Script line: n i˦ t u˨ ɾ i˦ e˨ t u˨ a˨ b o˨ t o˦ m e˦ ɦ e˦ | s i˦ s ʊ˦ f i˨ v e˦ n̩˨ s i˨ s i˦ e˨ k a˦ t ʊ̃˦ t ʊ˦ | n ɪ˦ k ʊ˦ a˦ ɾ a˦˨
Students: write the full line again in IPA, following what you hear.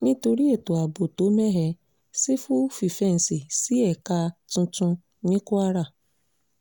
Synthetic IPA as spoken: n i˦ t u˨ ɾ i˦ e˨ t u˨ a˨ b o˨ t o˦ m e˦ ɦ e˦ | s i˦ f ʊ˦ f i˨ f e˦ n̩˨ s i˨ s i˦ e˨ k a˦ t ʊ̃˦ t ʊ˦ | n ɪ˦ k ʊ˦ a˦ ɾ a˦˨